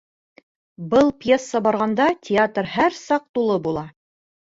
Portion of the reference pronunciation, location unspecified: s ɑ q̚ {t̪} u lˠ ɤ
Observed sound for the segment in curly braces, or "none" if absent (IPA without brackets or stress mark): t̪